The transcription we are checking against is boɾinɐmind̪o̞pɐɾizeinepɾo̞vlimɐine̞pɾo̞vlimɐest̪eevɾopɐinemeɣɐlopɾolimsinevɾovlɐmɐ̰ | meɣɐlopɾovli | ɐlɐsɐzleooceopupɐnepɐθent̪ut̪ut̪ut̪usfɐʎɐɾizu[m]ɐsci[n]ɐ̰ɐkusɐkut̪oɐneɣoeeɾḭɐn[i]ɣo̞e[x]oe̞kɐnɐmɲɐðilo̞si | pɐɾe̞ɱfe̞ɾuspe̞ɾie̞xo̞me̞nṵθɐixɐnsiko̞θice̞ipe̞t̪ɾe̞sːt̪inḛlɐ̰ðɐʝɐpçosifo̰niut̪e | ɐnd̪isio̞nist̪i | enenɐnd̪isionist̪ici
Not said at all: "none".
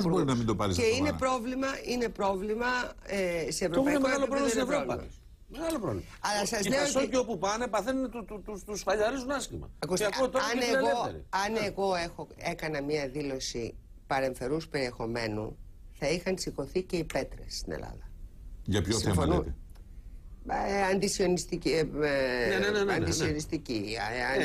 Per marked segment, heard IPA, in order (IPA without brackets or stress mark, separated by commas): n, m, e, x